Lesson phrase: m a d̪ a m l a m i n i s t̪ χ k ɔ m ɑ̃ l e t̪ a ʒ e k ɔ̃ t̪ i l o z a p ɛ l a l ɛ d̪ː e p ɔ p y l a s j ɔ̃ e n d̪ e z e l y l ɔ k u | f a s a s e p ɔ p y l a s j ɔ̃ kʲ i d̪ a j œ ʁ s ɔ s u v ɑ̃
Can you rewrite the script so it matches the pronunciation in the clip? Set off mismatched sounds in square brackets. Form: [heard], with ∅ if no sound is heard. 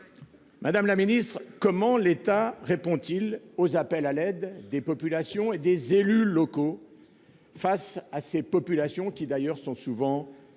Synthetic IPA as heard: m a d̪ a m l a m i n i s t̪ χ k ɔ m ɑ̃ l e t̪ a [ʁ] e [p] ɔ̃ t̪ i l o z a p ɛ l a l ɛ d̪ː e p ɔ p y l a s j ɔ̃ e [∅] d̪ e z e l y l ɔ k [o] | f a s a s e p ɔ p y l a s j ɔ̃ kʲ i d̪ a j œ ʁ s [ɔ̃] s u v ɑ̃

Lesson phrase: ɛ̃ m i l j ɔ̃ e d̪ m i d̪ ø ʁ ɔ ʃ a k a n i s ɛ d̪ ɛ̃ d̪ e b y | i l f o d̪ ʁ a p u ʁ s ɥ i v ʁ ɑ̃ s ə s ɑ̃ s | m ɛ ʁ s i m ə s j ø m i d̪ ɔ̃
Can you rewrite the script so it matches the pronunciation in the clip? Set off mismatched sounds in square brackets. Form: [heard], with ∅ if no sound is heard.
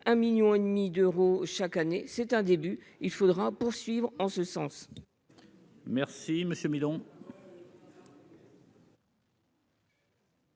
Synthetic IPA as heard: ɛ̃ m i l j ɔ̃ e d̪ m i d̪ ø ʁ [o] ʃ a k a n [e] s ɛ [t̪] ɛ̃ d̪ e b y | i l f o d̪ ʁ a p u ʁ s ɥ i v ʁ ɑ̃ s ə s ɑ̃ s | m ɛ ʁ s i m ə s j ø m i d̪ ɔ̃

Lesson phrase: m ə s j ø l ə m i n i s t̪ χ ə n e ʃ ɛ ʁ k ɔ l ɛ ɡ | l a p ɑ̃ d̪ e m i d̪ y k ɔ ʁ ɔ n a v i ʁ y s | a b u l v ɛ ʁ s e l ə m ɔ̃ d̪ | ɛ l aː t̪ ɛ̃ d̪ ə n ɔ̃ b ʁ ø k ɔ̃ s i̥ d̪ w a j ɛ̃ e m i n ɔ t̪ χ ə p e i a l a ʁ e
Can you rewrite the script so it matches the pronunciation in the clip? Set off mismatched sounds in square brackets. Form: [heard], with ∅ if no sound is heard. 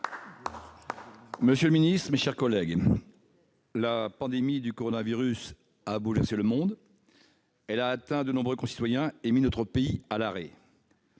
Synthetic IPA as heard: m ə s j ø l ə m i n i s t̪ χ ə [m] e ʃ ɛ ʁ k ɔ l ɛ ɡ | l a p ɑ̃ d̪ e m i d̪ y k ɔ ʁ ɔ n a v i ʁ y s | a b u l v ɛ ʁ s e l ə m ɔ̃ d̪ | ɛ l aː t̪ ɛ̃ d̪ ə n ɔ̃ b ʁ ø k ɔ̃ s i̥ [t̪] w a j ɛ̃ e m i n ɔ t̪ χ ə p e i a l a ʁ e

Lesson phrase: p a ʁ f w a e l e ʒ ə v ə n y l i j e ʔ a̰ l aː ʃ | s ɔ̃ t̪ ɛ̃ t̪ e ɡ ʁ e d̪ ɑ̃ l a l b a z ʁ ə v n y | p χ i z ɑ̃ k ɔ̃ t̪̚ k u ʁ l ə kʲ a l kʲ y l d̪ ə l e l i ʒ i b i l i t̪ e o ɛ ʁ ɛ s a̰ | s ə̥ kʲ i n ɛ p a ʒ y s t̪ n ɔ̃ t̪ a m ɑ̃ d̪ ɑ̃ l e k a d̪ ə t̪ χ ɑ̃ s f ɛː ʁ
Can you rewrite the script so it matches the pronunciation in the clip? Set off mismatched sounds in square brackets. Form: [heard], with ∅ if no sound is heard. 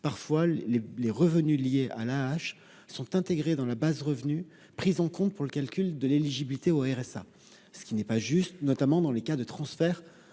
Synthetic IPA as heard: p a ʁ f w a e l e [ʁ] ə v ə n y l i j e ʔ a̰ l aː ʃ | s ɔ̃ t̪ ɛ̃ t̪ e ɡ ʁ e d̪ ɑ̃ l a [∅] b a z ʁ ə v n y | p χ i z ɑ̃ k ɔ̃ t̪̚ [p] u ʁ l ə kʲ a l kʲ y l d̪ ə l e l i ʒ i b i l i t̪ e o ɛ ʁ ɛ s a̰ | s ə̥ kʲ i n ɛ p a ʒ y s t̪ n [ɔ] t̪ a m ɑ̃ d̪ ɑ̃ l e k a d̪ ə t̪ χ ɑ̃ s f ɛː ʁ

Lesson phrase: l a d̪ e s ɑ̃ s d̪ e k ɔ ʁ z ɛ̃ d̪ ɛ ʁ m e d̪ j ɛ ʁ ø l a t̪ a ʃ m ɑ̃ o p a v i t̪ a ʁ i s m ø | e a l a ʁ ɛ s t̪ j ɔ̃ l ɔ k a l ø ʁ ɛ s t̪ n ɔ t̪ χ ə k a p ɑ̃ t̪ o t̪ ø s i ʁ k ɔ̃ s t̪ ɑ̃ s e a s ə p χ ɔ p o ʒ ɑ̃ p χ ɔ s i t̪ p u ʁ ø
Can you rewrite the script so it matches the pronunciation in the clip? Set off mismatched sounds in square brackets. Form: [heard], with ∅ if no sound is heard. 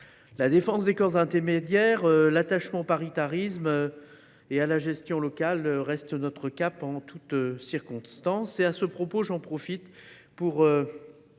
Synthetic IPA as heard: l a d̪ e [f] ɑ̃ s d̪ e k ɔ ʁ z ɛ̃ [t̪] ɛ ʁ m e d̪ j ɛ ʁ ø l a t̪ a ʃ m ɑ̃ o p a [ʁ] i t̪ a ʁ i s m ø | e a l a [ʒ] ɛ s t̪ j ɔ̃ l ɔ k a l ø ʁ ɛ s t̪ n ɔ t̪ χ ə k a p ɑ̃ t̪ [u] t̪ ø s i ʁ k ɔ̃ s t̪ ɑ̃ s e a s ə p χ ɔ p o ʒ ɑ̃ p χ ɔ [f] i t̪ p u ʁ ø

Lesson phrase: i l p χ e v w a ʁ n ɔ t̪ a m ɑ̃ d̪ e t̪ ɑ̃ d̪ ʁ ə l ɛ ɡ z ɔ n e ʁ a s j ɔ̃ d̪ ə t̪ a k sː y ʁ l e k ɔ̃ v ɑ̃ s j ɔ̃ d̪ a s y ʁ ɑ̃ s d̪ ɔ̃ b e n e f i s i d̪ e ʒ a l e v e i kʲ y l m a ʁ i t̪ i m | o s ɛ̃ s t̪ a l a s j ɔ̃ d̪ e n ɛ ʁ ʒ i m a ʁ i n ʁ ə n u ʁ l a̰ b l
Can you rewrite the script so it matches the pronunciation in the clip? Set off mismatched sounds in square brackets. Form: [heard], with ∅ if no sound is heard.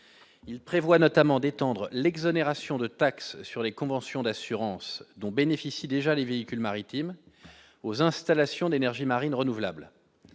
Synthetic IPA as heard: i l p χ e v w a [∅] n ɔ t̪ a m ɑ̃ d̪ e t̪ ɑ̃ d̪ ʁ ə l ɛ ɡ z ɔ n e ʁ a s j ɔ̃ d̪ ə t̪ a k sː y ʁ l e k ɔ̃ v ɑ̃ s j ɔ̃ d̪ a s y ʁ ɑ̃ s d̪ ɔ̃ b e n e f i s i d̪ e ʒ a l e v e i kʲ y l m a ʁ i t̪ i m | o [z] ɛ̃ s t̪ a l a s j ɔ̃ d̪ e n ɛ ʁ ʒ i m a ʁ i n ʁ ə n u [v] l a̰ b l

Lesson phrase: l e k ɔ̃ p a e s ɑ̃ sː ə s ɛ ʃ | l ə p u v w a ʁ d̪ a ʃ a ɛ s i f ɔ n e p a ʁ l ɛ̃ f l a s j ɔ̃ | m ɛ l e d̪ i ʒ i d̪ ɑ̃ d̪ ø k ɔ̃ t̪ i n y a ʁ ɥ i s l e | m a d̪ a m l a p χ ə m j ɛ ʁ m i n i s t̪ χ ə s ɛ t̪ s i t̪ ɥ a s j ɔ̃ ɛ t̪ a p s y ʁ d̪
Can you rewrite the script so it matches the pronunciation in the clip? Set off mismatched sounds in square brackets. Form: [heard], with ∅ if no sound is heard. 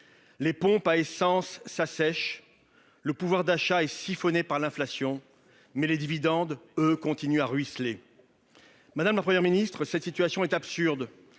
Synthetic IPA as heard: l e [p] ɔ̃ p a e s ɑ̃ sː [a] s ɛ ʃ | l ə p u v w a ʁ d̪ a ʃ a ɛ s i f ɔ n e p a ʁ l ɛ̃ f l a s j ɔ̃ | m ɛ l e d̪ i [v] i d̪ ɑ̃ d̪ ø k ɔ̃ t̪ i n y a ʁ ɥ i s l e | m a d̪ a m l a p χ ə m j ɛ ʁ m i n i s t̪ χ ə s ɛ t̪ s i t̪ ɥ a s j ɔ̃ ɛ t̪ a p s y ʁ d̪

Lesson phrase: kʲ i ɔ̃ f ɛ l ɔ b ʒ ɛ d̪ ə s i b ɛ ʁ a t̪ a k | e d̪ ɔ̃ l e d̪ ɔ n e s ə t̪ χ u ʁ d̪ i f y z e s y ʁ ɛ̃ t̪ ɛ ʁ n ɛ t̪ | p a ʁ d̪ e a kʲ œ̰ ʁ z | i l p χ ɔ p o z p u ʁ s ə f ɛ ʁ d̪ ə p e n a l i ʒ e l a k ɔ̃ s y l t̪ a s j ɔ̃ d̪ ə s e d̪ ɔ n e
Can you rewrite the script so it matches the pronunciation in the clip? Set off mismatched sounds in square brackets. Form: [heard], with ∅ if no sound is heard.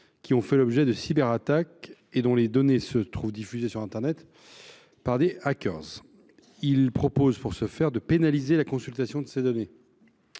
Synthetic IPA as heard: kʲ i ɔ̃ f ɛ l ɔ b ʒ ɛ d̪ ə s i b ɛ ʁ a t̪ a k | e d̪ ɔ̃ l e d̪ ɔ n e s ə t̪ χ u [v] d̪ i f y z e s y ʁ ɛ̃ t̪ ɛ ʁ n ɛ t̪ | p a ʁ d̪ e a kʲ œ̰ ʁ z | i l p χ ɔ p o z p u ʁ s ə f ɛ ʁ d̪ ə p e n a l i [z] e l a k ɔ̃ s y l t̪ a s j ɔ̃ d̪ ə s e d̪ ɔ n e

